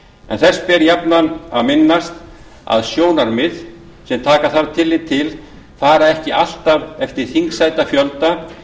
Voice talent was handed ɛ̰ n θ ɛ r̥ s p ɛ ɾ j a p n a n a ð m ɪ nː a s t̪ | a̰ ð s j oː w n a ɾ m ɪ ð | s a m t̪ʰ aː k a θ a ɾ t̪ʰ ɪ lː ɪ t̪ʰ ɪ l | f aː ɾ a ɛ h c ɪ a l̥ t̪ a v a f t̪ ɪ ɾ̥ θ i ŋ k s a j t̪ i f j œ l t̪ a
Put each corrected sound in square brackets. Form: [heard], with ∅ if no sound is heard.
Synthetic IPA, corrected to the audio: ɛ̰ n θ ɛ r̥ s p ɛ ɾ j a p n a n a ð m ɪ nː a s t̪ | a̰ ð s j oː w n a ɾ m ɪ ð | s [ɛ] m t̪ʰ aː k a θ a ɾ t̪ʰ ɪ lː ɪ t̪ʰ ɪ l | f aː ɾ a ɛ h c ɪ a l̥ t̪ a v [ɛ] f t̪ ɪ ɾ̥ θ i ŋ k s a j t̪ [a] f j œ l t̪ a